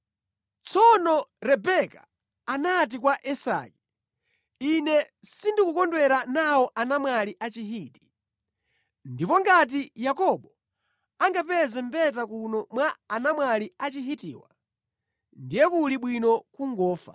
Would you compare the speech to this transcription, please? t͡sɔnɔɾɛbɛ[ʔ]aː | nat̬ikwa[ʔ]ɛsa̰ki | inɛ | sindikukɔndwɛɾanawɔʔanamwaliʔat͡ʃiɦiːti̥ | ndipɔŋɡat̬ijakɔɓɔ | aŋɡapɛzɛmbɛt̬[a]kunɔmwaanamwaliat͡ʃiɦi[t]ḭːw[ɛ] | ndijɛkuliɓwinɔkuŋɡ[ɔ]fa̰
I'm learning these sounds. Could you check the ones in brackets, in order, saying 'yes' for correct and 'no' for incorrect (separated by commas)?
no, yes, yes, yes, no, no